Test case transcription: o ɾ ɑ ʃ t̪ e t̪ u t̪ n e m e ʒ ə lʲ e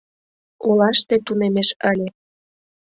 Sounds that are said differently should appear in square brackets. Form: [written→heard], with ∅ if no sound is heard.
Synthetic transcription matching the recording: o [ɾ→l] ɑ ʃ t̪ e t̪ u [t̪→∅] n e m e [ʒ→ʃ] ə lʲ e